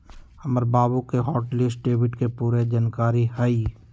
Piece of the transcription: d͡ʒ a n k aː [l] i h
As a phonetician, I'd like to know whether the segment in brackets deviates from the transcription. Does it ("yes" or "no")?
yes